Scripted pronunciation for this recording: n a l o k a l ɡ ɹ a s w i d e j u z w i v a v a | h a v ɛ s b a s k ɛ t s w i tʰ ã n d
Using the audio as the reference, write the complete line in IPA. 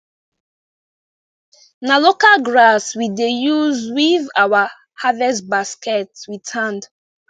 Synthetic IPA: n a l o k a l ɡ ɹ a s w i d e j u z w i v a w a | h a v ɛ s b a s k ɛ t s w i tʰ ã n d